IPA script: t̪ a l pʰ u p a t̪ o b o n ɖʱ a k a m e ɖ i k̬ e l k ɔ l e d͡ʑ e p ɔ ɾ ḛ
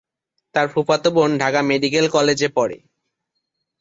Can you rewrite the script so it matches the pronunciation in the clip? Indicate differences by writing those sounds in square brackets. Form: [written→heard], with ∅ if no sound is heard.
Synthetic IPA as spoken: t̪ a [l→ɾ] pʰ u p a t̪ o b o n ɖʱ a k a m e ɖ i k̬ e l k ɔ l e d͡ʑ e p ɔ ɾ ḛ